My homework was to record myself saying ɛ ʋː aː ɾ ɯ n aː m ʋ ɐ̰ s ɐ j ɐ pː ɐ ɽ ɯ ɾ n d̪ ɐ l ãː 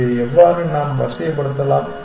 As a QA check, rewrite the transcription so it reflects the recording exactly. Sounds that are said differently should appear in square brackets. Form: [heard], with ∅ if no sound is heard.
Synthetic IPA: ɛ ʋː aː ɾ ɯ n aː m ʋ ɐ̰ s ɐ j ɐ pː ɐ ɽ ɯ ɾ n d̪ ɐ l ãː